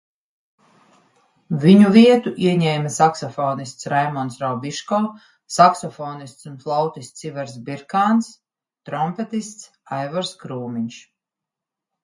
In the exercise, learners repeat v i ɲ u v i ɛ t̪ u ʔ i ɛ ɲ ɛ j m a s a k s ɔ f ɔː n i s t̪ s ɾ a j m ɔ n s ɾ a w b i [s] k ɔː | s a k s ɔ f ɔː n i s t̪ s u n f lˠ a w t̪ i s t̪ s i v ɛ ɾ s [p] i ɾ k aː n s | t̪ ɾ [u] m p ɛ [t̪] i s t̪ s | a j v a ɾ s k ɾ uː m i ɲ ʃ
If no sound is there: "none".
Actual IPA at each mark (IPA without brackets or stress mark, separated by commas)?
ʃ, b, ɔ, t̪